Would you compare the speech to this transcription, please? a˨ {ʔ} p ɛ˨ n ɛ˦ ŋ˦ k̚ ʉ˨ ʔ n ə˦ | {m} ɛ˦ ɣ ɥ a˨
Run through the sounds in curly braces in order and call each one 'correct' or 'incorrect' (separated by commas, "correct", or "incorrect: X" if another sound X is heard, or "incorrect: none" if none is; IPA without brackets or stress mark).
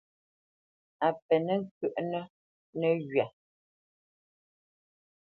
incorrect: none, incorrect: n